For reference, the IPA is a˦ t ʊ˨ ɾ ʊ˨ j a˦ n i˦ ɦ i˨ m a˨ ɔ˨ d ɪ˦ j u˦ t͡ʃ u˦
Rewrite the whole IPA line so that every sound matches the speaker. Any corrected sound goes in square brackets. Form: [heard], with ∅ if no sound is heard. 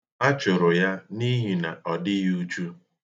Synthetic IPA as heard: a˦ [t͡ʃ] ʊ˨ ɾ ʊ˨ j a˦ n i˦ ɦ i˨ [n] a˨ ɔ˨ d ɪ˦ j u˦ t͡ʃ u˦